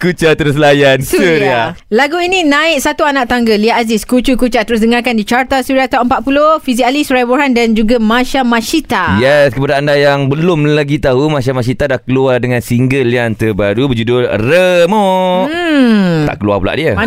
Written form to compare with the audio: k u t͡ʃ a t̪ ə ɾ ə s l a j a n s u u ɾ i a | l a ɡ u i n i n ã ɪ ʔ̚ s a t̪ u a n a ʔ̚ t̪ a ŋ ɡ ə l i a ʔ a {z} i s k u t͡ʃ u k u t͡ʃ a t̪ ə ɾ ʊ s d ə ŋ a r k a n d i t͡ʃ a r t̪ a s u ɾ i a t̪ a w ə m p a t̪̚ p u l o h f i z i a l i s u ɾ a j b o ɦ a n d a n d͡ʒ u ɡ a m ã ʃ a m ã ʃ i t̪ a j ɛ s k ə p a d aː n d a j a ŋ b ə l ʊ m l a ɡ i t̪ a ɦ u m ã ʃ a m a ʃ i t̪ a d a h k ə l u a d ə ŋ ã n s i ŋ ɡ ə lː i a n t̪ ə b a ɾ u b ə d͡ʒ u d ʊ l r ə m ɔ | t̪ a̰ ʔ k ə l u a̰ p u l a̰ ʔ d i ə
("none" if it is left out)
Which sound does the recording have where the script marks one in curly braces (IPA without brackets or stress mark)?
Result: z